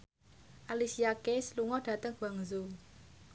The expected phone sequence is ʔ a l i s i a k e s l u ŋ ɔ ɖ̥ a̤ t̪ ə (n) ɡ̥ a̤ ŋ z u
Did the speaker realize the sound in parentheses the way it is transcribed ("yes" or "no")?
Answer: no